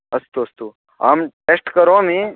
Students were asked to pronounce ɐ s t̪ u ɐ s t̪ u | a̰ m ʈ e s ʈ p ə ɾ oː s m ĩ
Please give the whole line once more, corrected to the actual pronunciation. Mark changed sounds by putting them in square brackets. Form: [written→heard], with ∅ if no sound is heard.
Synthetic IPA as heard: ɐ s t̪ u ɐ s t̪ u | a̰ m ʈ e s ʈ [p→k] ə ɾ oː [s→∅] m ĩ